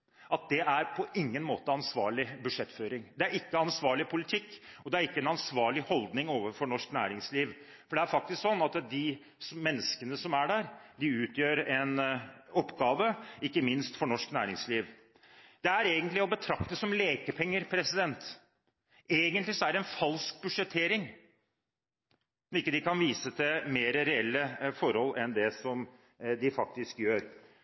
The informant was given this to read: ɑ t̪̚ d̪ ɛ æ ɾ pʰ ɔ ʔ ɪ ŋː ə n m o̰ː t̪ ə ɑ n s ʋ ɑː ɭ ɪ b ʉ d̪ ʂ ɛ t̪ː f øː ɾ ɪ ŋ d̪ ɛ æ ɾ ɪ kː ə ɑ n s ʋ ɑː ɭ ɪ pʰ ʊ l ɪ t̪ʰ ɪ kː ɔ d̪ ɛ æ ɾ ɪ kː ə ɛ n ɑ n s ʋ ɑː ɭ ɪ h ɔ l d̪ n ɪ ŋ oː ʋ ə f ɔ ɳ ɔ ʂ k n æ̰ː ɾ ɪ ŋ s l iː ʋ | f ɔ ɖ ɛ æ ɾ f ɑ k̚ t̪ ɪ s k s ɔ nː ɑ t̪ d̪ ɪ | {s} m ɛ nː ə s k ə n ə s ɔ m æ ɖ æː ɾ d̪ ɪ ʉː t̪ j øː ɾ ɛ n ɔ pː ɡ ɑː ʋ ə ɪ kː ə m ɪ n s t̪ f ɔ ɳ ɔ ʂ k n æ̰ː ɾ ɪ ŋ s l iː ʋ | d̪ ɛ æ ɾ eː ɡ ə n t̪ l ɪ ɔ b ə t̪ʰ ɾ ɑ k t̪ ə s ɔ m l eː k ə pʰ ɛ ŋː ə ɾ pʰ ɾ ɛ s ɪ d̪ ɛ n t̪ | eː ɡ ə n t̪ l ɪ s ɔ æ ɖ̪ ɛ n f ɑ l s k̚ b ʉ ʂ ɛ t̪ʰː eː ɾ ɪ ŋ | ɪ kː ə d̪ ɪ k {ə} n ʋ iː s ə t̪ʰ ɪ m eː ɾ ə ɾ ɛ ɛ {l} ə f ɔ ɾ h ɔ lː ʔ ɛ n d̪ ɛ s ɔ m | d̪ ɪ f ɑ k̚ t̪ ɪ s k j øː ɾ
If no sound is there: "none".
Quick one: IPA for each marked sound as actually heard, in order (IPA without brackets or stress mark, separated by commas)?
s, ɑ, lː